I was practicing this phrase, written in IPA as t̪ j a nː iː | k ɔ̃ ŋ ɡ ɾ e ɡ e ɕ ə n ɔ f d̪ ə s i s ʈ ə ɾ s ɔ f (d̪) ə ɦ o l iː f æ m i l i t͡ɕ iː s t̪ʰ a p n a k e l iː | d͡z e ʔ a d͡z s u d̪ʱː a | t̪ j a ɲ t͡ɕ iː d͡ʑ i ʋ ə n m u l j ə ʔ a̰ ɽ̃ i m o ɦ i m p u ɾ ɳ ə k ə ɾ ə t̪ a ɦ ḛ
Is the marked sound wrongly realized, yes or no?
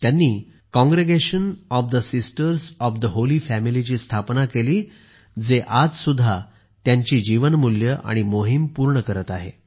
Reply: no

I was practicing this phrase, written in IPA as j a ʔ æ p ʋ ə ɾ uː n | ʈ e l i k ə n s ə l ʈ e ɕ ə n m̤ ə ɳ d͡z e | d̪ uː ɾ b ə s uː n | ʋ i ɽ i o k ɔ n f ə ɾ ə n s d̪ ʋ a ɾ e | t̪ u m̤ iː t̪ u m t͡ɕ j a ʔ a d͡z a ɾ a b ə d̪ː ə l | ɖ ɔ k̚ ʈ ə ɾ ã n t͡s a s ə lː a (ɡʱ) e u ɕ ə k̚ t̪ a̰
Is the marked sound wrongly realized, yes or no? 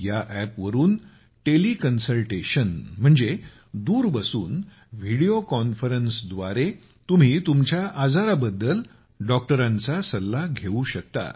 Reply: no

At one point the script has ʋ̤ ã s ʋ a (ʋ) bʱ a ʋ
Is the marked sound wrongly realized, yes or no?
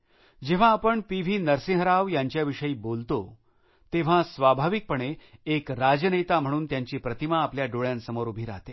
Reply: yes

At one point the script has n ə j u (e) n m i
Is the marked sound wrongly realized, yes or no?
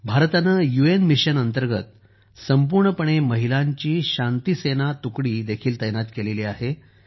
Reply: no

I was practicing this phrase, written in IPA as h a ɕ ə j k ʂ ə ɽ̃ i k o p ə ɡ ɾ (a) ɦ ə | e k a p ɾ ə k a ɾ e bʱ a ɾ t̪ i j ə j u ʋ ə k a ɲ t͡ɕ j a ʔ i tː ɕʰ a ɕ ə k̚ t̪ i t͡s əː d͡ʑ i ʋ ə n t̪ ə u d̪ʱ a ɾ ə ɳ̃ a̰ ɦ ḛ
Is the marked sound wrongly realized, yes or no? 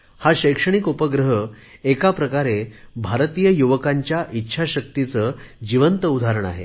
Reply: yes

